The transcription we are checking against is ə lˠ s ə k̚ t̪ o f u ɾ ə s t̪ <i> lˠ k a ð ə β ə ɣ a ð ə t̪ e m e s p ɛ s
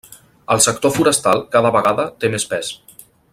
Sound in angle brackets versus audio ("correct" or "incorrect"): incorrect